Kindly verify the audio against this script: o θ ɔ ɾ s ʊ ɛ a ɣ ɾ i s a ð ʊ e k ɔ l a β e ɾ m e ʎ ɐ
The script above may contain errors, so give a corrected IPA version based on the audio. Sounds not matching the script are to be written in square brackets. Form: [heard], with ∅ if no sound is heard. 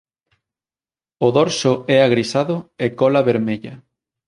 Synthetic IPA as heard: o [ð] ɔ ɾ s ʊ ɛ a ɣ ɾ i s a ð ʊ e k ɔ l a β e ɾ m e ʎ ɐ